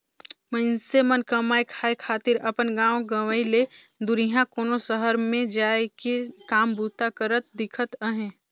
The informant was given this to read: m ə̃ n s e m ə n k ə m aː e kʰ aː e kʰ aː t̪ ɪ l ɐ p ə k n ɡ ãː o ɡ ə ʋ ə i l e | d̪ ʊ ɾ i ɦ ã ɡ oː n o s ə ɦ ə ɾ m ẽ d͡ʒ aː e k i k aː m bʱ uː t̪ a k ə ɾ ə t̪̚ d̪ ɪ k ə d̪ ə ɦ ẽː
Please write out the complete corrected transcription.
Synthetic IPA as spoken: m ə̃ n s e m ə n k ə m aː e kʰ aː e kʰ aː t̪ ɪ ɾ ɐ p ə n ɡ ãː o ɡ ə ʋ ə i l e | d̪ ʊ ɾ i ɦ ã k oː n o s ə ɦ ə ɾ m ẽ d͡ʒ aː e k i k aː m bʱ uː t̪ a k ə ɾ ə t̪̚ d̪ ɪ kʰ ə t̪ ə ɦ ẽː